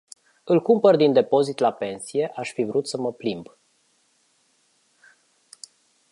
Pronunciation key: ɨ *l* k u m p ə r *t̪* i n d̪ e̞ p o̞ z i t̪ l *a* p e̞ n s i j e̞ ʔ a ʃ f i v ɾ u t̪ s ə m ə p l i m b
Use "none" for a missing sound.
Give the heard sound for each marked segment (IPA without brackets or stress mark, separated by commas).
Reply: l, d̪, a